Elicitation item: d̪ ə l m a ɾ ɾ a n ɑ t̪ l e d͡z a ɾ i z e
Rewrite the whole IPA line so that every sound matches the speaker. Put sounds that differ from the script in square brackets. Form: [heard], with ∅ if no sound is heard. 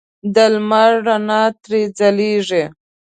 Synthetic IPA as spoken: d̪ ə l m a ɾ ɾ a n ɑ t̪ [ɾ] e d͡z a [l] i [ʐ] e